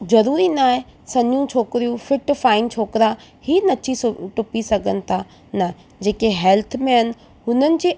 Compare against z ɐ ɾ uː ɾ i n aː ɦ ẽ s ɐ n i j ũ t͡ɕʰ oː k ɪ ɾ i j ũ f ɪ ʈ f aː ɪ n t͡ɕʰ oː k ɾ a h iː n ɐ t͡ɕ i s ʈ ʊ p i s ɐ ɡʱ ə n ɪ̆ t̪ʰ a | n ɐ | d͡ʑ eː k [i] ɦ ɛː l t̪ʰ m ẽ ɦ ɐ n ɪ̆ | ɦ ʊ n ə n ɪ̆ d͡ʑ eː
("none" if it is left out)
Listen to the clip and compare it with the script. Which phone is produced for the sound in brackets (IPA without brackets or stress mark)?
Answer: e